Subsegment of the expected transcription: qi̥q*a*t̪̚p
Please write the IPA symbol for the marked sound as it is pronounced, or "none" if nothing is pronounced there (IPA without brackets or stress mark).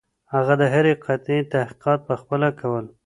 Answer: ɑ